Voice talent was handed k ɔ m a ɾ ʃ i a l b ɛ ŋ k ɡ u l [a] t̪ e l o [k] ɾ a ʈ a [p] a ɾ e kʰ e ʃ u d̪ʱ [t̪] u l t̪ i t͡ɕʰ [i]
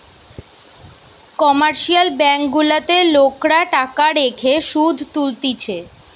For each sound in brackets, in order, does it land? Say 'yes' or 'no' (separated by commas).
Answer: yes, yes, no, yes, no